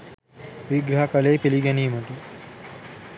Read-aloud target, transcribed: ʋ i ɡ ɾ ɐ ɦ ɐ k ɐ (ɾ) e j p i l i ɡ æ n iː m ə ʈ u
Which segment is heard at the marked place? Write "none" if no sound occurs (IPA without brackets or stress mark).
l